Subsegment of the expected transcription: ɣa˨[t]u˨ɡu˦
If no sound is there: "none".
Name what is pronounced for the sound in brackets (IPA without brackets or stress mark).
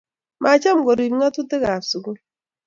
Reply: s